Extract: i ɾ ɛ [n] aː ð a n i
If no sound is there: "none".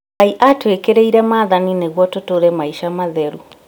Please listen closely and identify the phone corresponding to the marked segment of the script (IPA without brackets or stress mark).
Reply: m